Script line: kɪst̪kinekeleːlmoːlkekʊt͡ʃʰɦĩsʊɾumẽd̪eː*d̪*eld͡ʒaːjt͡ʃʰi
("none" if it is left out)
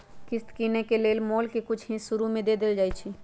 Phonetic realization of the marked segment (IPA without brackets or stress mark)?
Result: d̪